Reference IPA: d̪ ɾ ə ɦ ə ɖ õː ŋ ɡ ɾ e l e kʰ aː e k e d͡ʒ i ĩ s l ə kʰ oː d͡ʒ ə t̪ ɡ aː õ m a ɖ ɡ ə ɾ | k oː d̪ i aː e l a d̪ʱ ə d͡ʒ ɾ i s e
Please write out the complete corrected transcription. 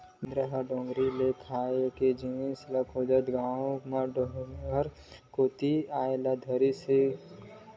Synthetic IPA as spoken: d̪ ɾ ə ɦ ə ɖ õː ŋ ɡ ɾ i l e kʰ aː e k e d͡ʒ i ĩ s l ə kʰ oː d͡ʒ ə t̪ ɡ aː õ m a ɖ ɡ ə ɾ | k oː t̪ i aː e l a d̪ʱ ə ɾ i s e